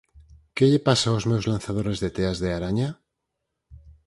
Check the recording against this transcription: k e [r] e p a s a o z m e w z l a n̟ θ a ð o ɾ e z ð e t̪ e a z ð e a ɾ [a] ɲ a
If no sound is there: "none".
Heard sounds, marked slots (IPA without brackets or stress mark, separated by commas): ʎ, a